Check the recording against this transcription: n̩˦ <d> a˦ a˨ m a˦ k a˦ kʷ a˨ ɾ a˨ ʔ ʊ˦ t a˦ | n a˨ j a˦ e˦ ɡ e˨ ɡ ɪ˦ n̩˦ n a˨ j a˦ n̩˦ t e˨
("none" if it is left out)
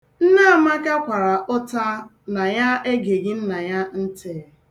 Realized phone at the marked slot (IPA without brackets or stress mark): n